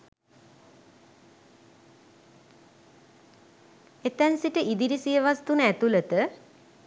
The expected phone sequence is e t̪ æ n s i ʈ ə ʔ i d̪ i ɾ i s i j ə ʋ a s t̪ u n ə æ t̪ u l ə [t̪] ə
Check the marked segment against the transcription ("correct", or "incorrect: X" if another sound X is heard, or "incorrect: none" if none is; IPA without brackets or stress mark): correct